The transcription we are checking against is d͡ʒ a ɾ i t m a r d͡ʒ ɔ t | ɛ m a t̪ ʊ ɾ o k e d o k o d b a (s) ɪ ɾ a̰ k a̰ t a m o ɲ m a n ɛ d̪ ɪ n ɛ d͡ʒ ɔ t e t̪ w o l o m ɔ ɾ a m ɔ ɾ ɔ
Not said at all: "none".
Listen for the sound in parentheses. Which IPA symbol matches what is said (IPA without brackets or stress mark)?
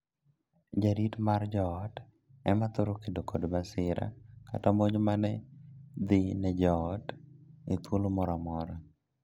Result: s